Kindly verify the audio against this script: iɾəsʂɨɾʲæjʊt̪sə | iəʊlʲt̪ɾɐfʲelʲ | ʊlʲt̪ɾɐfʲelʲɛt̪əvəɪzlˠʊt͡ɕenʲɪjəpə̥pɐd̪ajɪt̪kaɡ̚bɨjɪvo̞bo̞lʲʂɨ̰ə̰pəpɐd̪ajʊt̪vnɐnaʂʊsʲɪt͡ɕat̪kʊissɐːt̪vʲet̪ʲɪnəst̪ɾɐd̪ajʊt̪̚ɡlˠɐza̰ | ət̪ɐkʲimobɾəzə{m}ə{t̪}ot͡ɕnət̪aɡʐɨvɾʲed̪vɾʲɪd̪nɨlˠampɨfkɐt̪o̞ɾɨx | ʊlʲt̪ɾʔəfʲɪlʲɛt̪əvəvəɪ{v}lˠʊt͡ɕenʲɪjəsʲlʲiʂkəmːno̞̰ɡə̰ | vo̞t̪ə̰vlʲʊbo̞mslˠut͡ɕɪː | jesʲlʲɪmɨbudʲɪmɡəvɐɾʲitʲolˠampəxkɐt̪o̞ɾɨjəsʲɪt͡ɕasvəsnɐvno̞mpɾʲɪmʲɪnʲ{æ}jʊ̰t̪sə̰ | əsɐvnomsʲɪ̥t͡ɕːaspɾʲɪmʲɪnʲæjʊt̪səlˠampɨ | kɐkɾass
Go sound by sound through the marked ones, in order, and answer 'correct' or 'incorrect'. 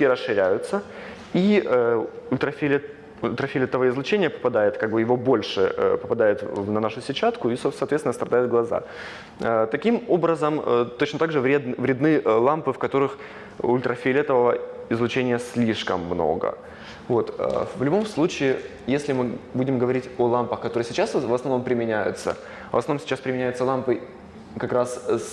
correct, correct, incorrect: z, correct

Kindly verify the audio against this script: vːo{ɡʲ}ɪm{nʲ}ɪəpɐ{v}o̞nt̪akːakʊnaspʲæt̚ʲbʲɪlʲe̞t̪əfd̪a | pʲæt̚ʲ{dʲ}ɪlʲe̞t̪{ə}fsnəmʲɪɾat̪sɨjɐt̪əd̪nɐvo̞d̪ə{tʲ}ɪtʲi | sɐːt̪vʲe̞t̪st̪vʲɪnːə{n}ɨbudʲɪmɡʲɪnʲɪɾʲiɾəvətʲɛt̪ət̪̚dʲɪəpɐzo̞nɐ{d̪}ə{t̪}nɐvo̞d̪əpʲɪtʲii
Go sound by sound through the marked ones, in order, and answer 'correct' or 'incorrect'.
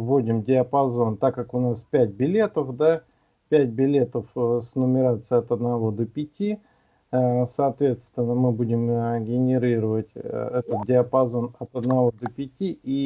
incorrect: dʲ, incorrect: dʲ, incorrect: z, incorrect: bʲ, correct, incorrect: pʲ, incorrect: m, incorrect: t̪, incorrect: d̪

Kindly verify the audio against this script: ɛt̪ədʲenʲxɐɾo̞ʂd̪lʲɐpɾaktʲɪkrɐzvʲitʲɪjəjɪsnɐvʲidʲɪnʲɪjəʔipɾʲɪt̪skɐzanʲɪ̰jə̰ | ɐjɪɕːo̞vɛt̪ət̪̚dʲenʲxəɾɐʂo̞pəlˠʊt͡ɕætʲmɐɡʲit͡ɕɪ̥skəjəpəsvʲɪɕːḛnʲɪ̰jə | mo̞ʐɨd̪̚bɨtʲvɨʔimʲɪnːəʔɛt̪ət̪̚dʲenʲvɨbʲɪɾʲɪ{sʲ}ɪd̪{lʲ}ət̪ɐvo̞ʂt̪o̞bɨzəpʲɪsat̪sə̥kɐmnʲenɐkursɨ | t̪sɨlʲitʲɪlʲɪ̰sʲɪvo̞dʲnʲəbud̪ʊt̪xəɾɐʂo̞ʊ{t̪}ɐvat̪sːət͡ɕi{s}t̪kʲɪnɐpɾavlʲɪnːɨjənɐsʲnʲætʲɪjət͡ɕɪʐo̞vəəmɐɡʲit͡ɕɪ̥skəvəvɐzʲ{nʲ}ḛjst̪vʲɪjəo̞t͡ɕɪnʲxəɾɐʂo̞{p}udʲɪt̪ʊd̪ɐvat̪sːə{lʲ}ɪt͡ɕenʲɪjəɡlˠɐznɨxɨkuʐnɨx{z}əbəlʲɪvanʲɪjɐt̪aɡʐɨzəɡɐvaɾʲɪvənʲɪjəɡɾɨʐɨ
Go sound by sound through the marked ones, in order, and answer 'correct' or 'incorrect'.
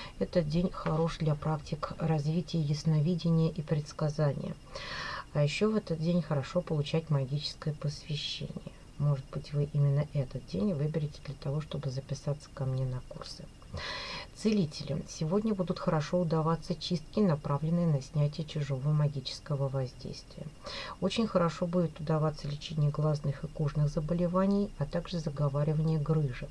incorrect: tʲ, correct, incorrect: d̪, correct, incorrect: dʲ, incorrect: b, correct, correct

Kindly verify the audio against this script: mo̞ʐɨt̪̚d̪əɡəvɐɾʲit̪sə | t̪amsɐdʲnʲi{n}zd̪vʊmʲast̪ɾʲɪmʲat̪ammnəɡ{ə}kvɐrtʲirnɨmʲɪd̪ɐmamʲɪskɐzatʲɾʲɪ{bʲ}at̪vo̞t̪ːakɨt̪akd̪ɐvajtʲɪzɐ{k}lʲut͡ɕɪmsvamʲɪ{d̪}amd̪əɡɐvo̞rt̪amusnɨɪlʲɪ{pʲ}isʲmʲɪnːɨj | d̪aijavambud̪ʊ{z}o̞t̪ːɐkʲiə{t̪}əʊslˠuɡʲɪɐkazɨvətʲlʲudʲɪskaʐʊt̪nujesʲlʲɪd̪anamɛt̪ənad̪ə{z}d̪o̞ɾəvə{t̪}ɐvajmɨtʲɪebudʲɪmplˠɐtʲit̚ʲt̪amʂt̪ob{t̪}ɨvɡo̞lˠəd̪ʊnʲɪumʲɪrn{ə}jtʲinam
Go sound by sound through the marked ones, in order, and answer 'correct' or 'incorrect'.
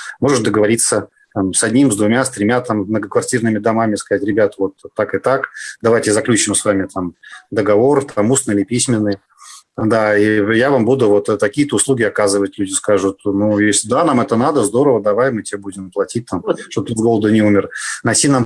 incorrect: m, correct, correct, correct, incorrect: t̪, correct, incorrect: v, correct, correct, incorrect: d̪, correct, incorrect: ɐ

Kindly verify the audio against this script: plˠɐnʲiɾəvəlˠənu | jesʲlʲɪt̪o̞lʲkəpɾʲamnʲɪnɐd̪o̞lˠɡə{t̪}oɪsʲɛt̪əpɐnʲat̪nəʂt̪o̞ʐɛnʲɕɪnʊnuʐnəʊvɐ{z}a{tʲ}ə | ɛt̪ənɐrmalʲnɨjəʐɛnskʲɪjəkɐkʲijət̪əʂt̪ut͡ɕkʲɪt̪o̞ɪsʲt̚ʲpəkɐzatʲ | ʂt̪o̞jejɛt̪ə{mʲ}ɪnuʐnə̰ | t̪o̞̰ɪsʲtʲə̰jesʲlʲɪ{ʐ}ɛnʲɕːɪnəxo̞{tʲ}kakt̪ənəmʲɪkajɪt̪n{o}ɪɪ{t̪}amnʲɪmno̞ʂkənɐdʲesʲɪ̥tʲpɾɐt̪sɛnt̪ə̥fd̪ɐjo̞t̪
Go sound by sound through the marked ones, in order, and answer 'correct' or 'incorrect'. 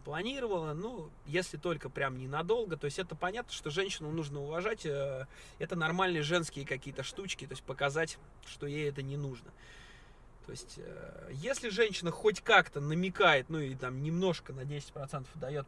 correct, incorrect: ʐ, correct, incorrect: nʲ, correct, correct, incorrect: u, correct

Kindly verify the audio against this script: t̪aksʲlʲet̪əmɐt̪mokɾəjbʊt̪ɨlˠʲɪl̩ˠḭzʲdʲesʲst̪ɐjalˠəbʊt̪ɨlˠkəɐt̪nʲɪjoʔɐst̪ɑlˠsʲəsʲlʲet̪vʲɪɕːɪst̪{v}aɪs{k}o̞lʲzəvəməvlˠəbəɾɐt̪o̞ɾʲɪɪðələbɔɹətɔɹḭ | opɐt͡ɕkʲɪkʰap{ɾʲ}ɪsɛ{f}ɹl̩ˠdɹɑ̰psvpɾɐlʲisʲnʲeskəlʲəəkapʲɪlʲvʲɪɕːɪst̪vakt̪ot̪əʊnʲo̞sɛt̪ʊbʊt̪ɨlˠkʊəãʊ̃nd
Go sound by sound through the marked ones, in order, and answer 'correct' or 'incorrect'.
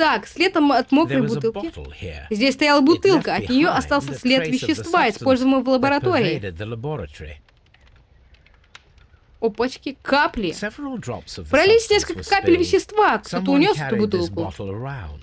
correct, incorrect: p, incorrect: lʲ, incorrect: v

